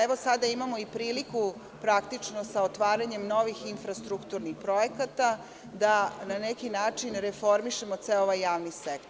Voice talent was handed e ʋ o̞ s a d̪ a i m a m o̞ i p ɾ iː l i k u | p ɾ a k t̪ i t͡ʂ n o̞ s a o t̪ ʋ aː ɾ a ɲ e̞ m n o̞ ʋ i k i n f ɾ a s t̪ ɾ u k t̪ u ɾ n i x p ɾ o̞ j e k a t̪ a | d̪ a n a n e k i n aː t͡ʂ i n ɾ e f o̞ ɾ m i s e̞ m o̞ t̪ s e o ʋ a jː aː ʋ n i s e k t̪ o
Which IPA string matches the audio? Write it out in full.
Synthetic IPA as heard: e ʋ o̞ s a d̪ a i m a m o̞ i p ɾ iː l i k u | p ɾ a k t̪ i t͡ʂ n o̞ s a o t̪ ʋ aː ɾ a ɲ e̞ m n o̞ ʋ i x i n f ɾ a s t̪ ɾ u k t̪ u ɾ n i x p ɾ o̞ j e k a t̪ a | d̪ a n a n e k i n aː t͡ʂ i n ɾ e f o̞ ɾ m i ʃ e̞ m o̞ t̪ s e o ʋ a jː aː ʋ n i s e k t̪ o